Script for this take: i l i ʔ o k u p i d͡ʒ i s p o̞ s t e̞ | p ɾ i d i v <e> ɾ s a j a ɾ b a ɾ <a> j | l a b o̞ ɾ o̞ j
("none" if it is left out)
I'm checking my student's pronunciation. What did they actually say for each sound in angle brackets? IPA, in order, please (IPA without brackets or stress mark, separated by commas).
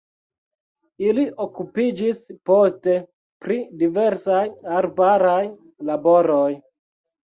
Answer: e, a